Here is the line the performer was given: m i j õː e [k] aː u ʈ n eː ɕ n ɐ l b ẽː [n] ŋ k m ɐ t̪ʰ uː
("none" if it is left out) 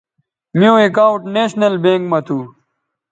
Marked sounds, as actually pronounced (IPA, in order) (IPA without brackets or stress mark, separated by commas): k, none